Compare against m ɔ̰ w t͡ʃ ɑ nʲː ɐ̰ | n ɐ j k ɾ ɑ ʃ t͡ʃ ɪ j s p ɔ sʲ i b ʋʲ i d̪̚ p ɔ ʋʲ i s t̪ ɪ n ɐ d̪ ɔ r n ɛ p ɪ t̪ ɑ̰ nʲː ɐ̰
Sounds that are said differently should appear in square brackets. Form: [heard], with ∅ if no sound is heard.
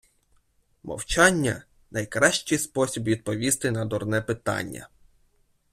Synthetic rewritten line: m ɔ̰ w t͡ʃ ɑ nʲː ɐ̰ | n ɐ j k ɾ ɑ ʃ t͡ʃ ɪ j s p ɔ sʲ i b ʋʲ i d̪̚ p ɔ ʋʲ i s t̪ ɪ n ɐ d̪ ɔ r n ɛ p ɪ t̪ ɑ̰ nʲː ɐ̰